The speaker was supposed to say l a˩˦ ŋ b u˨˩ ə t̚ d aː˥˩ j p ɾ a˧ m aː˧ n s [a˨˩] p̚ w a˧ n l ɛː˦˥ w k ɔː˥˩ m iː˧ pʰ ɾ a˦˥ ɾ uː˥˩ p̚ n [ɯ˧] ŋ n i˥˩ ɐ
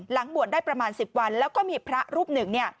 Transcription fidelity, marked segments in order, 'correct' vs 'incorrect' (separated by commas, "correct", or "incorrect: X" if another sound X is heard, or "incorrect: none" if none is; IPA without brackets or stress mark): incorrect: i˨˩, incorrect: ɯ˨˩